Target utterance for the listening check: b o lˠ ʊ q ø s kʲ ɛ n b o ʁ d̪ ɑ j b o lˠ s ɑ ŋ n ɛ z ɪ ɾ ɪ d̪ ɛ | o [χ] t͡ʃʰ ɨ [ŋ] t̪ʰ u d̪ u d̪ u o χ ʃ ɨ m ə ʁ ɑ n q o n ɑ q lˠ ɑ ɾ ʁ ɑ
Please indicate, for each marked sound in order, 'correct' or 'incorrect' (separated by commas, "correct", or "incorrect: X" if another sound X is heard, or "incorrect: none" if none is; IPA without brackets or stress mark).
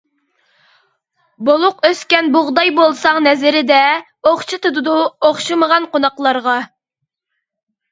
correct, incorrect: none